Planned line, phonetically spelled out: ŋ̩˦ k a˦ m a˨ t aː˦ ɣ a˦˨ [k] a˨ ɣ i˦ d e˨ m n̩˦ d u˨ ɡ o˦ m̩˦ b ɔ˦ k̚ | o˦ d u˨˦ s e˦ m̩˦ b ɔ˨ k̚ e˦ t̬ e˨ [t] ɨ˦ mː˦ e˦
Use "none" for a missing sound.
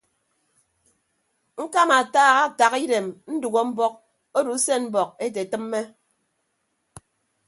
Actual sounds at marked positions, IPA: t, t

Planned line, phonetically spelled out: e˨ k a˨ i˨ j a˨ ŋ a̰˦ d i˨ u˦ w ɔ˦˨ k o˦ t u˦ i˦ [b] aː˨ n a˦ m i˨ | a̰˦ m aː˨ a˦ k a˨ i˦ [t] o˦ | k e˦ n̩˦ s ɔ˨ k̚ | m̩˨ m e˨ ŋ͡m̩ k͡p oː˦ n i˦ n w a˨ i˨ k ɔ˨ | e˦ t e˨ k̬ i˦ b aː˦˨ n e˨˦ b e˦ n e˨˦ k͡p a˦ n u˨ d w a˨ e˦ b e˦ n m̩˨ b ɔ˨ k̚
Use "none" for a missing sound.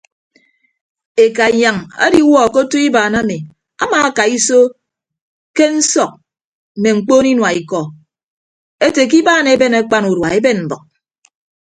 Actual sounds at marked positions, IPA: b, s

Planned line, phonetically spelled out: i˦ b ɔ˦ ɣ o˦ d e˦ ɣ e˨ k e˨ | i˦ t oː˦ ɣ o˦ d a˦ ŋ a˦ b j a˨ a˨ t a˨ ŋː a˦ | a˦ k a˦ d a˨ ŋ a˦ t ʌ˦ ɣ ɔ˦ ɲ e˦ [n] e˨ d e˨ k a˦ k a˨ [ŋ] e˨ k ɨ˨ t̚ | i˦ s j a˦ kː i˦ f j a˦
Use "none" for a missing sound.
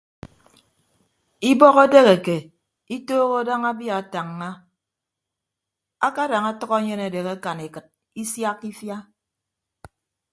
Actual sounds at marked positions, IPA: n, n

